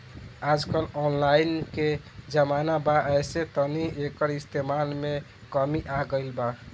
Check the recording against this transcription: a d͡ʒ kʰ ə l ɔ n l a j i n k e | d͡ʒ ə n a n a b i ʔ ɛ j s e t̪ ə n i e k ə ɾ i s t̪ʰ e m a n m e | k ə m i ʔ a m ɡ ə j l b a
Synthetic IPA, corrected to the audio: a d͡ʒ k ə l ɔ n l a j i n k e | d͡ʒ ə m a n a b a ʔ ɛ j s e t̪ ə n i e k ə ɾ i s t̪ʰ e m a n m e | k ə m i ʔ a ɡ ə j l b a